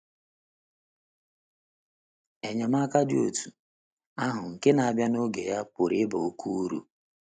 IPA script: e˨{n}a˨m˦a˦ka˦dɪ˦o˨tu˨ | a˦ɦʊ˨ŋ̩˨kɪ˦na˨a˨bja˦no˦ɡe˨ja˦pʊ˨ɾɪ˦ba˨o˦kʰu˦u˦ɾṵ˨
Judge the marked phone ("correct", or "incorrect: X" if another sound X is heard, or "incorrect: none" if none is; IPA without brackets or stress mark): incorrect: ɲ